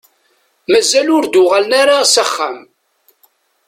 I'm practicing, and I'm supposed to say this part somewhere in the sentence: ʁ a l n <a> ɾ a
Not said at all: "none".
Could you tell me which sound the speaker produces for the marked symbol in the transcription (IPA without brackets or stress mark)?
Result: a